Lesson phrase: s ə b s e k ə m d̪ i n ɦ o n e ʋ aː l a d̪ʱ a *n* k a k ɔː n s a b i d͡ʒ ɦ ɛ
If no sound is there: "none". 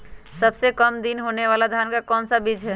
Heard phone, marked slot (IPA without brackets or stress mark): n